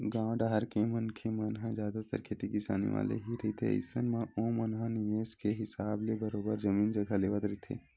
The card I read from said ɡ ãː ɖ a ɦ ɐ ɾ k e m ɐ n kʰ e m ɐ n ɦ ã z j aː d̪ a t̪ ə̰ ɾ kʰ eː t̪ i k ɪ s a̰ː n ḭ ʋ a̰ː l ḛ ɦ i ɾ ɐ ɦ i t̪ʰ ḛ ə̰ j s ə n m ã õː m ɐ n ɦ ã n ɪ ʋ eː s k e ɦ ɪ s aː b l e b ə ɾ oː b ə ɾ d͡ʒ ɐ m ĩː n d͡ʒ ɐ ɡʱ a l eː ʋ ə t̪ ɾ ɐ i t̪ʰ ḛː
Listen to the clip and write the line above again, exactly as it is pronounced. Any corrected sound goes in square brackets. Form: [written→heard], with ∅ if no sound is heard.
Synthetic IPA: ɡ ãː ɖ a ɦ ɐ ɾ k e m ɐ n kʰ e m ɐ n ɦ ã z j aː d̪ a t̪ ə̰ ɾ kʰ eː t̪ i k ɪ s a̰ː n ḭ ʋ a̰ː l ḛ ɦ i ɾ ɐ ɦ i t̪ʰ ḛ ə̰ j s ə n m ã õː m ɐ n ɦ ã n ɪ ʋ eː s k e ɦ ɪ s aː b l e b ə ɾ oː b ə ɾ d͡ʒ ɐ m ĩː n d͡ʒ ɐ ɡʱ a l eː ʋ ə t̪ ɾ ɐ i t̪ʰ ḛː